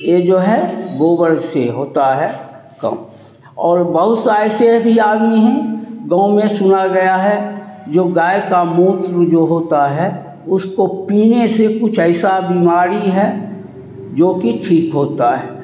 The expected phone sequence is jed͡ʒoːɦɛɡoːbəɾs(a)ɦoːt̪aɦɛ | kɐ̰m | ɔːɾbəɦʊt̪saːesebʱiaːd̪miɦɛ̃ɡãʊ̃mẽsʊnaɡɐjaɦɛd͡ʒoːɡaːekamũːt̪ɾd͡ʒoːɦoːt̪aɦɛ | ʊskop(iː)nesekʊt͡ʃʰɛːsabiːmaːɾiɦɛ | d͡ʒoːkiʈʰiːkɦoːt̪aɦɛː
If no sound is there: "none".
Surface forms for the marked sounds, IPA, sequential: e, iː

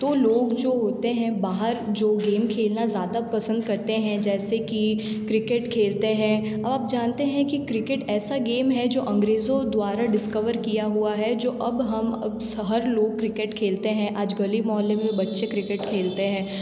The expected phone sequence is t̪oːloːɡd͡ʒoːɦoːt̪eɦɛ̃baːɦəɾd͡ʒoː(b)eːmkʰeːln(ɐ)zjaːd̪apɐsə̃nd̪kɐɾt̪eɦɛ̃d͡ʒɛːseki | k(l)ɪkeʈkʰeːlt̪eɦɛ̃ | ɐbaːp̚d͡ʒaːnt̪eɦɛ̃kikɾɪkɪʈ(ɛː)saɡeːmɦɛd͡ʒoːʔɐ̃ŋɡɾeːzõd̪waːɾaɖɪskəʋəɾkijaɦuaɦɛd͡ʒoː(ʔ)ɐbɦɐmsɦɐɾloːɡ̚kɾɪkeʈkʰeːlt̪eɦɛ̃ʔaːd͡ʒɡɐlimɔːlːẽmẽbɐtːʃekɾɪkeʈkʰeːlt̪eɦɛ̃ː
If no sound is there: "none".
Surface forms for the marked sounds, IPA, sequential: ɡ, a, ɾ, ɛː, ʔ

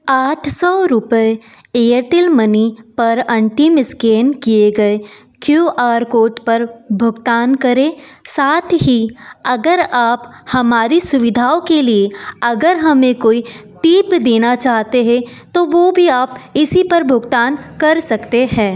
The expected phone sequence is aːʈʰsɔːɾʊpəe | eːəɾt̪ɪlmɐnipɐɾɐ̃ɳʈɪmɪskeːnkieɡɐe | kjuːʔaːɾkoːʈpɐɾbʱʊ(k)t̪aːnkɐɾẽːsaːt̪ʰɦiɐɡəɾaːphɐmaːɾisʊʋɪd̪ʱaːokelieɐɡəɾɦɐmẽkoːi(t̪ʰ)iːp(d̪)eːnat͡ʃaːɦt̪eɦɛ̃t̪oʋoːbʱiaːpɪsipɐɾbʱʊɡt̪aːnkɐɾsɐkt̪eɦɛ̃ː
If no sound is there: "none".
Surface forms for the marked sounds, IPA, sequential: ɡ, t̪, d̪

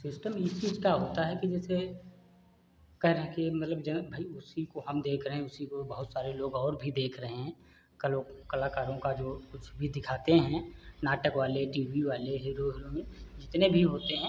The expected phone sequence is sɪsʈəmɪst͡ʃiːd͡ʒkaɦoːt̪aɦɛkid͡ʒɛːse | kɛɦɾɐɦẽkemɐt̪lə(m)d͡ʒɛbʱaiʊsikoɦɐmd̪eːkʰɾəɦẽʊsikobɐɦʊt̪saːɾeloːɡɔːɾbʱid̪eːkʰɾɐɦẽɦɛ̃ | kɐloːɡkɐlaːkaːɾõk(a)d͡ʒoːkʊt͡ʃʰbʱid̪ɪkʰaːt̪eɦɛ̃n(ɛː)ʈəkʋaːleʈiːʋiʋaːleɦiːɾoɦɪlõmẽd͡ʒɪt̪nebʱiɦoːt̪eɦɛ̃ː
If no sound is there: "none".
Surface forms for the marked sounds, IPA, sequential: b, a, aː

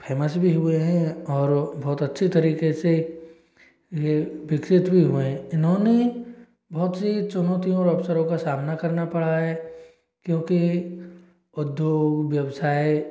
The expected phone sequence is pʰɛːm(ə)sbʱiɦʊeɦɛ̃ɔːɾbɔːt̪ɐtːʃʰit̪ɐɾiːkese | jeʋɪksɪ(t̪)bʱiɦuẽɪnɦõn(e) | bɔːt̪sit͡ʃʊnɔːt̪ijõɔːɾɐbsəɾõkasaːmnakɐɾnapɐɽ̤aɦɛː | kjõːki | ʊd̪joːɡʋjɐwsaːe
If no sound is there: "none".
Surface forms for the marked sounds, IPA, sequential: ə, t̪, e

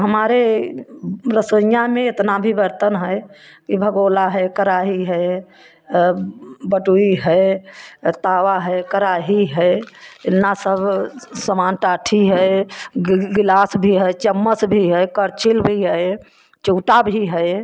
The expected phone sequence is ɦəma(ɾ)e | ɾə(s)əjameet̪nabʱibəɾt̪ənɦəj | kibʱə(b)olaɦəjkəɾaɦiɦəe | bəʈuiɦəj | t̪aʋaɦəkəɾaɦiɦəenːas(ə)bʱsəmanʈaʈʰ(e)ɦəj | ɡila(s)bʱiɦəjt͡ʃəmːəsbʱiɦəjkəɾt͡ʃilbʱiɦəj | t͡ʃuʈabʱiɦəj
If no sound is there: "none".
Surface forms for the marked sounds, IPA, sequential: ɾ, s, ɡ, ə, i, s

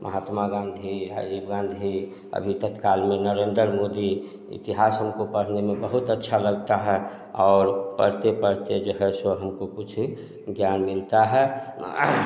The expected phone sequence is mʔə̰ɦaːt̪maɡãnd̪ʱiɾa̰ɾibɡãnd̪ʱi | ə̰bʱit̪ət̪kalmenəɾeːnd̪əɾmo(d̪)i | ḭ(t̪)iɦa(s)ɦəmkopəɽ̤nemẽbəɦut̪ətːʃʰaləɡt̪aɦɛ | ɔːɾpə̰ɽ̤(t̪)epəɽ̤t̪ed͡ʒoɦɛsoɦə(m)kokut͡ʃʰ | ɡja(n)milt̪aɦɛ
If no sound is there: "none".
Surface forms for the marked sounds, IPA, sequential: d̪, t̪, s, t̪, m, n

